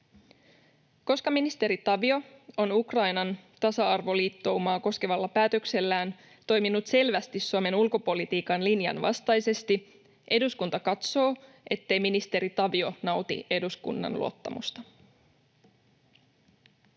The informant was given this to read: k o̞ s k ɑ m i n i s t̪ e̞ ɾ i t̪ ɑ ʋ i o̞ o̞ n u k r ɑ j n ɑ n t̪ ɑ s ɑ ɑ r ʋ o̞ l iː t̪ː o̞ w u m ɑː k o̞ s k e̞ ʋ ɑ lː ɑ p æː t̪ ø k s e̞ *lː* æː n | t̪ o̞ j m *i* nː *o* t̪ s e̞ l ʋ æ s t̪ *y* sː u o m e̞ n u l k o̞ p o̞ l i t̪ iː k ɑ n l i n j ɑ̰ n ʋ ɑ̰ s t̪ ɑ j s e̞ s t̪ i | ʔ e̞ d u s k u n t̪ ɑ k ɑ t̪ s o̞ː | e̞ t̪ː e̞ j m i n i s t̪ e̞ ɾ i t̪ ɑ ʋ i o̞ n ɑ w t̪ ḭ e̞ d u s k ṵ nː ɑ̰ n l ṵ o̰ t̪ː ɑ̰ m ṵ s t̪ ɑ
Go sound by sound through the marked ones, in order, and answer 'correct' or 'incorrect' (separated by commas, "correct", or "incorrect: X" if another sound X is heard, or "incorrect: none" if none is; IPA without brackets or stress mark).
correct, correct, incorrect: u, incorrect: i